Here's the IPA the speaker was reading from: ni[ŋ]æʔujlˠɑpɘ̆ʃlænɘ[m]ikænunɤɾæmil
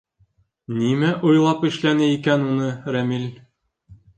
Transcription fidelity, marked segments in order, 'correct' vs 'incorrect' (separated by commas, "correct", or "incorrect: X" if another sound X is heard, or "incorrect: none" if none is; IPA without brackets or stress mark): incorrect: m, incorrect: none